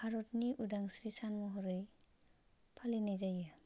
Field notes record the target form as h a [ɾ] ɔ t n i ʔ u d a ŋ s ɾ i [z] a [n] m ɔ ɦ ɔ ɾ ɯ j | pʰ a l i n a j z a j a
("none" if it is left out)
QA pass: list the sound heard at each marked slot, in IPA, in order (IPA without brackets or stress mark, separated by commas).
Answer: ɾ, s, n